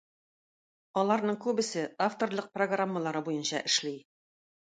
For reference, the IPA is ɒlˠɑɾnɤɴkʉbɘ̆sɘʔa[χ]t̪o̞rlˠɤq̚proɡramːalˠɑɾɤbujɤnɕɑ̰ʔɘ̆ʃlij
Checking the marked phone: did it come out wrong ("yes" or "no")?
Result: yes